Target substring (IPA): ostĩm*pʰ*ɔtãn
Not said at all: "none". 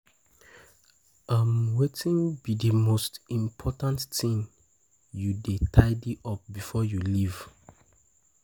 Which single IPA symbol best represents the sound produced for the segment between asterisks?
pʰ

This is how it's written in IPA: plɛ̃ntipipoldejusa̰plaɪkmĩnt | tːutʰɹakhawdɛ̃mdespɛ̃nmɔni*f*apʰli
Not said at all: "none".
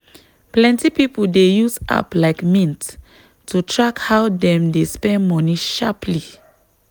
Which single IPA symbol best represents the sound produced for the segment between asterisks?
ʃ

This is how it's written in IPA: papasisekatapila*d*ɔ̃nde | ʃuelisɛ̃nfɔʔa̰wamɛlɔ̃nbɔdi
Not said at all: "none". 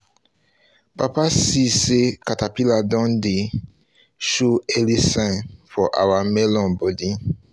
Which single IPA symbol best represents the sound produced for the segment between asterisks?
d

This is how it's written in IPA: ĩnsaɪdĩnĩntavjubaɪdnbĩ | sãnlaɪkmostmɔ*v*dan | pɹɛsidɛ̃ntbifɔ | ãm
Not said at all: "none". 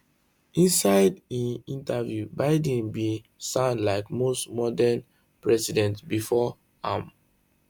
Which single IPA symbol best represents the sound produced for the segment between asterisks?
none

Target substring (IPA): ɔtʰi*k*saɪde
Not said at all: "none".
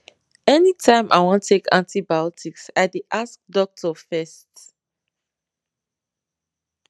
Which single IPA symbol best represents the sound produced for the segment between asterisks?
k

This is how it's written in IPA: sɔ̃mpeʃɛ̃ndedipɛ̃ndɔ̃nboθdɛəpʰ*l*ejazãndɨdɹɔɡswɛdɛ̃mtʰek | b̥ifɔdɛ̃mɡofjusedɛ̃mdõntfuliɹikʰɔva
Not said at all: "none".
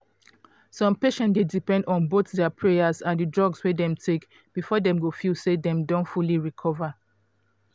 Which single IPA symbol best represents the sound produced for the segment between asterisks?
ɹ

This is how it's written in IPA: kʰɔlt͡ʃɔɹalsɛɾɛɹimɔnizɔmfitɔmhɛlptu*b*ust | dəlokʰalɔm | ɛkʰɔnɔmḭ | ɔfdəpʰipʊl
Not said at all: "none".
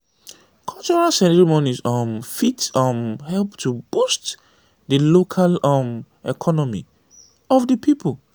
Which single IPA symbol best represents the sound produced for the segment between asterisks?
b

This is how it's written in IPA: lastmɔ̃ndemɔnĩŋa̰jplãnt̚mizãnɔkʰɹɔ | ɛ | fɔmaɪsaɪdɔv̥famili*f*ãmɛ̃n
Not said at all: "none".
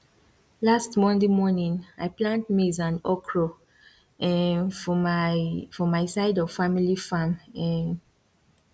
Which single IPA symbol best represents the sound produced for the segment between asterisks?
f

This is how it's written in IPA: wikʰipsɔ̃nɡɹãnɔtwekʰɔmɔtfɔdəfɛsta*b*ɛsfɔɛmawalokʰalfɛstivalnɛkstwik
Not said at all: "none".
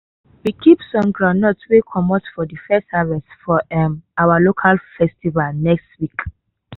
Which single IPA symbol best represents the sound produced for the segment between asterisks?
v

